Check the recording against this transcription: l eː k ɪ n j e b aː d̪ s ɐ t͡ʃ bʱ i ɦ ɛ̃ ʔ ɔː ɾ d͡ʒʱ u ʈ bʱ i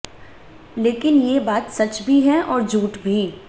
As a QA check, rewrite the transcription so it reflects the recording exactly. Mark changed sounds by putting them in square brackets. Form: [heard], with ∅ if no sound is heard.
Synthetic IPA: l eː k ɪ n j e b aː [t̪] s ɐ t͡ʃ bʱ i ɦ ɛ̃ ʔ ɔː ɾ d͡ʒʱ [uː] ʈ bʱ i